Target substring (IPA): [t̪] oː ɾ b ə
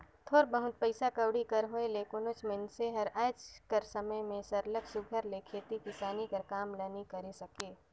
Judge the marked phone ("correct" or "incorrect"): incorrect